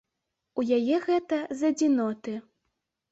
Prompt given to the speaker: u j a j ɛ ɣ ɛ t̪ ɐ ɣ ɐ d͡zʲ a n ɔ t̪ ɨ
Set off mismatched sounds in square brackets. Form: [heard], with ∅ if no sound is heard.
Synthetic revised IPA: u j a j ɛ ɣ ɛ t̪ ɐ [z] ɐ d͡zʲ [i] n ɔ t̪ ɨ